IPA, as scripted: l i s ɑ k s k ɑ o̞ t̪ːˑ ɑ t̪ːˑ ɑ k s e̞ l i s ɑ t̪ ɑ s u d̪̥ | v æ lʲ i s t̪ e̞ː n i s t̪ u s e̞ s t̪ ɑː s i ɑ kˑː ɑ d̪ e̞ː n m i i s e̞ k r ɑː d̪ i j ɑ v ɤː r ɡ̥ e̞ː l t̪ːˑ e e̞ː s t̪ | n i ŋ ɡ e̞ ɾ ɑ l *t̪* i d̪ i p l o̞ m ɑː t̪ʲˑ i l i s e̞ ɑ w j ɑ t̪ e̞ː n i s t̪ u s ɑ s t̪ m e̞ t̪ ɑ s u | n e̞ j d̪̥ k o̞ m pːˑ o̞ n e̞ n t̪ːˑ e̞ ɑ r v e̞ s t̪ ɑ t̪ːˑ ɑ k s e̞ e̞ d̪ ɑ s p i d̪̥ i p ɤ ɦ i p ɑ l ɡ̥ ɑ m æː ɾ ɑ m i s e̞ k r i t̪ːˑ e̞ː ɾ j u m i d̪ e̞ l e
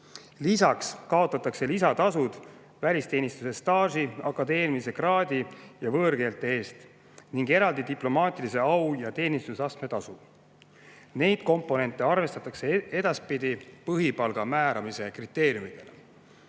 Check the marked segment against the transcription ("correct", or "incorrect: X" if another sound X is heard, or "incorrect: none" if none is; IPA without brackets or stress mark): incorrect: d̪